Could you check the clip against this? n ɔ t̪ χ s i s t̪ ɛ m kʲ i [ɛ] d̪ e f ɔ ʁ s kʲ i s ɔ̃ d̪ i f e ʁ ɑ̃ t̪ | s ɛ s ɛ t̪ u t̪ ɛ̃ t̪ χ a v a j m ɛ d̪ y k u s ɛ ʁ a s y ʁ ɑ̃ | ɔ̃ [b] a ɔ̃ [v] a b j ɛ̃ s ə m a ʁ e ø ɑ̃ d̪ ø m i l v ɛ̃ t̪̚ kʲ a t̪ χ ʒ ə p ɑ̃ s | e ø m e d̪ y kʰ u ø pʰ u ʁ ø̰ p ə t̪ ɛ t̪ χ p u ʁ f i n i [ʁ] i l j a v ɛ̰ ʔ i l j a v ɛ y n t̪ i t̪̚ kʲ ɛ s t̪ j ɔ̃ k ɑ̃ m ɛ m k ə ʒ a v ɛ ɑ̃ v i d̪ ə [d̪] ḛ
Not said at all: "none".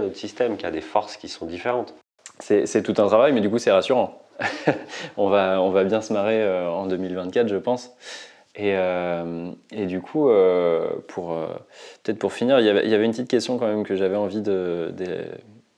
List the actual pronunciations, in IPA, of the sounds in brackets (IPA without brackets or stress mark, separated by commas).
a, v, v, ʁ, d̪